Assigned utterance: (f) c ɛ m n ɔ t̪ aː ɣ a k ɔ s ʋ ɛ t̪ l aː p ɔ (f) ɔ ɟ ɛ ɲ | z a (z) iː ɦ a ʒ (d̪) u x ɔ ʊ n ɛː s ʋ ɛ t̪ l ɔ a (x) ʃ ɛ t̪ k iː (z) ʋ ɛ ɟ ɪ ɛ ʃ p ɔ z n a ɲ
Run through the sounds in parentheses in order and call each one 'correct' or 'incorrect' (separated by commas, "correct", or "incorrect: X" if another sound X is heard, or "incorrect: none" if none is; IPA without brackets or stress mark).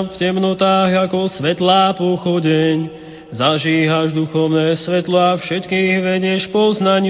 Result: correct, incorrect: x, incorrect: ʒ, correct, incorrect: f, incorrect: ɣ